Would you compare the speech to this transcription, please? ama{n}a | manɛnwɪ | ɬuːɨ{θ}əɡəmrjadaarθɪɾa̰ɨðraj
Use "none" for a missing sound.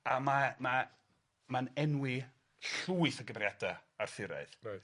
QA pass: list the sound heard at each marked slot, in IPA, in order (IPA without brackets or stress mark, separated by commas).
m, θ